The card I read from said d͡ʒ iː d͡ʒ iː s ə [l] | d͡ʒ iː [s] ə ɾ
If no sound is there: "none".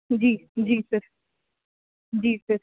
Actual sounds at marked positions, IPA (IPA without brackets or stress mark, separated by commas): ɾ, s